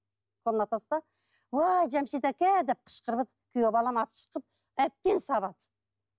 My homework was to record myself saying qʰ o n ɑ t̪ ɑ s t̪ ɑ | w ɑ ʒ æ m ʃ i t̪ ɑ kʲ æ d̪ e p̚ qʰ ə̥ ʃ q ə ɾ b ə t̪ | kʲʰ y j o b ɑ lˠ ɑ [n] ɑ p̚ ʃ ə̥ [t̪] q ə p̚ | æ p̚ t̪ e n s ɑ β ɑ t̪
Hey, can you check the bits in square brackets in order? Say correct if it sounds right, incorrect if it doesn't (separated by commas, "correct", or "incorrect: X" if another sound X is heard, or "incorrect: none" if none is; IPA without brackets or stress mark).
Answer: incorrect: m, incorrect: none